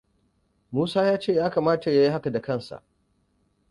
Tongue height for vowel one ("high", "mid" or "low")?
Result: high